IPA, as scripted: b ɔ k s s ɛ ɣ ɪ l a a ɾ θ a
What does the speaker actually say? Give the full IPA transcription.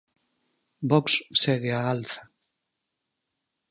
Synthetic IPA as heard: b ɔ k s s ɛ ɣ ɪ a a l θ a